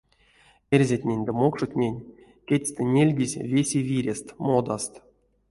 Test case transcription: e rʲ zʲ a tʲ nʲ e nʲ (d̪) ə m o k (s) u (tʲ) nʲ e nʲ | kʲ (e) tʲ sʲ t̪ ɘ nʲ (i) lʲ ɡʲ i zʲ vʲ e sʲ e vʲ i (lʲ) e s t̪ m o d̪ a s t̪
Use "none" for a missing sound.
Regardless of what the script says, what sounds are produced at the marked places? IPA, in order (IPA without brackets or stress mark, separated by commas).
d̪, ʂ, tʲ, e, e, ɾʲ